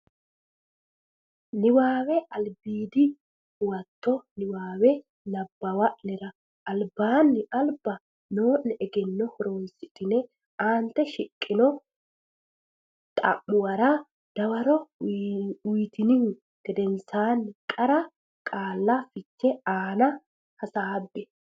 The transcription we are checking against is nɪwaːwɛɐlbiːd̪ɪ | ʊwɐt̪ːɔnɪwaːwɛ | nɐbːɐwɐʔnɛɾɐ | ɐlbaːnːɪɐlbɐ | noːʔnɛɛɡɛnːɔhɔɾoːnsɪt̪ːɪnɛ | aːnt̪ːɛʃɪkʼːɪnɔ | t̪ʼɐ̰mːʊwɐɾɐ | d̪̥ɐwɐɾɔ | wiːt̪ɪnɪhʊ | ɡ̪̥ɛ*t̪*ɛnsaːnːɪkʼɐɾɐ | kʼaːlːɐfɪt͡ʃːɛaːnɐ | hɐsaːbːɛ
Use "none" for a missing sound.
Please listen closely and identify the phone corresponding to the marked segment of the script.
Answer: d̪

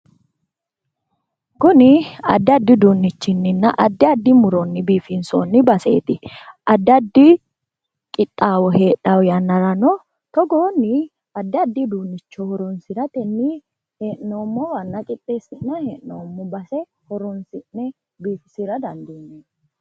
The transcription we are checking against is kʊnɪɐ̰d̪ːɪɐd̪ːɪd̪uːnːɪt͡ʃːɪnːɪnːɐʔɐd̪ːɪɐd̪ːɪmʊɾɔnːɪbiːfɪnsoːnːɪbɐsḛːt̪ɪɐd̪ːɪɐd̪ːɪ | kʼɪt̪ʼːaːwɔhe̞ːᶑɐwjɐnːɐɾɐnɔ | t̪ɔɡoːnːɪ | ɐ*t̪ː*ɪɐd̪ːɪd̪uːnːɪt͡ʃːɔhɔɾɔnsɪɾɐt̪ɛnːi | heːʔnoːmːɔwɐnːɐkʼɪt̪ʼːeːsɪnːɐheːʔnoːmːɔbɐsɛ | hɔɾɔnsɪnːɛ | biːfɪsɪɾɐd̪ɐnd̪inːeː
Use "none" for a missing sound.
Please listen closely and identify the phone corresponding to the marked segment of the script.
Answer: d̪ː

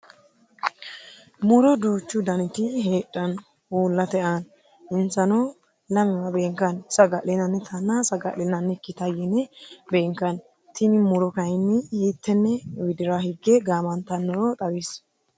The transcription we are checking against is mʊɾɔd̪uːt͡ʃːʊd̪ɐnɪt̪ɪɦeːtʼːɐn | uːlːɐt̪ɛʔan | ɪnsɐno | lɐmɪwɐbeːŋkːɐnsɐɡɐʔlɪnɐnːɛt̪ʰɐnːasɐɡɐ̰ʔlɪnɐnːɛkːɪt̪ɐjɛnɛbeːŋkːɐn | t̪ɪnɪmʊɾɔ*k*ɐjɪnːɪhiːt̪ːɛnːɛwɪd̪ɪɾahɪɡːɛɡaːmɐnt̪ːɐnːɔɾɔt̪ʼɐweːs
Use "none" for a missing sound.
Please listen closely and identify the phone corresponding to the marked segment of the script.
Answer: k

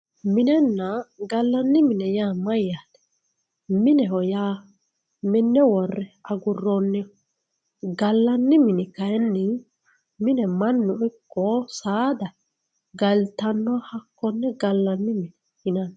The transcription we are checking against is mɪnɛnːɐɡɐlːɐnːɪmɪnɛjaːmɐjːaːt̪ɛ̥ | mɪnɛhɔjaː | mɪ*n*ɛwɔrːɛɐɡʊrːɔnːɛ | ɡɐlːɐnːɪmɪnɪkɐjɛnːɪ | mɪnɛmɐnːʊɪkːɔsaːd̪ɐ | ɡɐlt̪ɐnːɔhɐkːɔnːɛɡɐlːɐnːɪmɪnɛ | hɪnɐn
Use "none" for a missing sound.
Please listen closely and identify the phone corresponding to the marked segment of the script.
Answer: nː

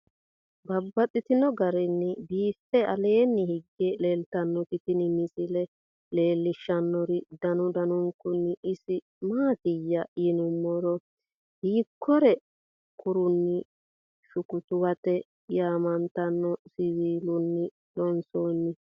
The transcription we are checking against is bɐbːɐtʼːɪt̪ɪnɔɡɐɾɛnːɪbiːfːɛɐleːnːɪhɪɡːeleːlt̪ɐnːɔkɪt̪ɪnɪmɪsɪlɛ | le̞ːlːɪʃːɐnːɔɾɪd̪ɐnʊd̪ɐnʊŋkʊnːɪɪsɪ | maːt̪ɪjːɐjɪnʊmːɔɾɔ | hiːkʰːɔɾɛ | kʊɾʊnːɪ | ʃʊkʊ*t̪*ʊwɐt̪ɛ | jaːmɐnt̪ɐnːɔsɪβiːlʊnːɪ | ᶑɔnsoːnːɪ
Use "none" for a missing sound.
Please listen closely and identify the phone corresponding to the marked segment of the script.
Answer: t̪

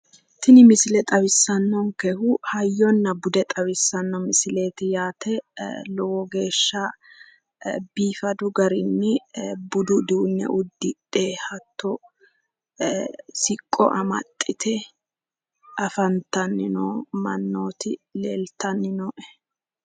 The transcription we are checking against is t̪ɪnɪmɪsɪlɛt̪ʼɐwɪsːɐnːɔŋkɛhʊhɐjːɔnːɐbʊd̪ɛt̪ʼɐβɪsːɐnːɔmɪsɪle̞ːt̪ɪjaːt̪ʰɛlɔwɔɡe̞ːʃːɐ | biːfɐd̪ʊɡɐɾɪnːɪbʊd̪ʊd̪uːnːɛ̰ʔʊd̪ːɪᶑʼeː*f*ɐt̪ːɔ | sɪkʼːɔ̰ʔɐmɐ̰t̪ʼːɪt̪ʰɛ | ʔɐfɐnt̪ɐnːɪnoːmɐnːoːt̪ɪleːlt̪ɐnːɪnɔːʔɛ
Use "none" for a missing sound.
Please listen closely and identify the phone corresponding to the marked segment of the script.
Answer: h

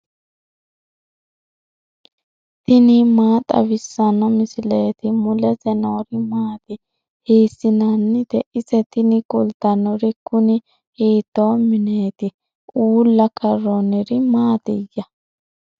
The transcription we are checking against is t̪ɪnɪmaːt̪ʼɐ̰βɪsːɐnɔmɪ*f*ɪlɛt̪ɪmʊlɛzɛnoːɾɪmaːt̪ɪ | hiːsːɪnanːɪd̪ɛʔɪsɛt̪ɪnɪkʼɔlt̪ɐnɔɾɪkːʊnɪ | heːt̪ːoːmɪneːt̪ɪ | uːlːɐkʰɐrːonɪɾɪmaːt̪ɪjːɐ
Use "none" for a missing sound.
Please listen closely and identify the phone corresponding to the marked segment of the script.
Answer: s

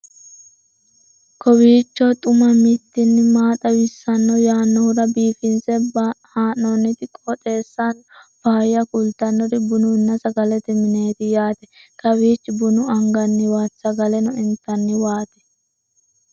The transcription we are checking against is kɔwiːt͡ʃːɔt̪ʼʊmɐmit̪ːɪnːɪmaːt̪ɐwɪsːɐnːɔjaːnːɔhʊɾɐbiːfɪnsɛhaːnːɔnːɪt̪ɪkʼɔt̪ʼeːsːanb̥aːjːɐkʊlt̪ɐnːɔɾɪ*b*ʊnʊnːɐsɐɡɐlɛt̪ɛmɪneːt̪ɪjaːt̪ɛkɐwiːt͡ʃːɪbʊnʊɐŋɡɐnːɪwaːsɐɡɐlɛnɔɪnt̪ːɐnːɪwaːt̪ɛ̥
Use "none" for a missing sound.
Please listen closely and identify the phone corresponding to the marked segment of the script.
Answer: b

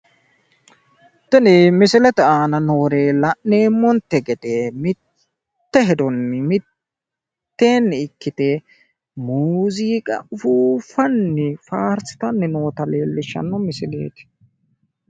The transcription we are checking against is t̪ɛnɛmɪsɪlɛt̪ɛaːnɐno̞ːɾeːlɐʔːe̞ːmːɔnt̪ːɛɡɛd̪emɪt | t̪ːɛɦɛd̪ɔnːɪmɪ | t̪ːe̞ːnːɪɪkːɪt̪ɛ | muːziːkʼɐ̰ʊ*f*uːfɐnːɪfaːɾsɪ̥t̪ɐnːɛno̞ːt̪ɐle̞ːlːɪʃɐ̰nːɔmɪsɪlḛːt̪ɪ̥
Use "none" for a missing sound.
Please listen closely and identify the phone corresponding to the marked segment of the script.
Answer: f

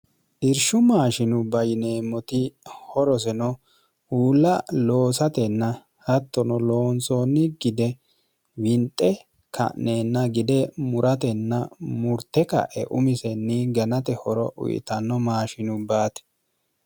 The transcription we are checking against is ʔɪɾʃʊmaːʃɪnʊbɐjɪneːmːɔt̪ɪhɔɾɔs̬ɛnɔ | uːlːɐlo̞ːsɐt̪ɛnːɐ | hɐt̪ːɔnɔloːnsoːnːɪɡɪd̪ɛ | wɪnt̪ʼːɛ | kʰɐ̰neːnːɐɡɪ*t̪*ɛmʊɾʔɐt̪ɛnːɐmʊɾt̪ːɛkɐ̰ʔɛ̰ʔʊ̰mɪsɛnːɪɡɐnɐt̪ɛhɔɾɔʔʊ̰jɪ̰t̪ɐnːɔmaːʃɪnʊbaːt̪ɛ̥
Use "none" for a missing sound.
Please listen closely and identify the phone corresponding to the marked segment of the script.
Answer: d̪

